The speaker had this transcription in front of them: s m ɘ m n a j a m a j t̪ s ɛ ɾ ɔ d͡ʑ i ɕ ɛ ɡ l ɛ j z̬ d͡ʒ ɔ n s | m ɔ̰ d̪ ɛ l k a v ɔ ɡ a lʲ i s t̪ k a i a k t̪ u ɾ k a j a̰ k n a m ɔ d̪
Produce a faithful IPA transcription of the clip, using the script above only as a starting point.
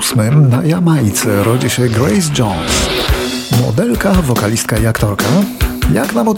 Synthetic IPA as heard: s m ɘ m n a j a m a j t̪ s ɛ ɾ ɔ d͡ʑ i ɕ ɛ ɡ ɾ ɛ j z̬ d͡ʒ ɔ n s | m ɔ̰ d̪ ɛ l k a v ɔ k a lʲ i s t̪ k a i a k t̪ ɔ ɾ k a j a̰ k n a m ɔ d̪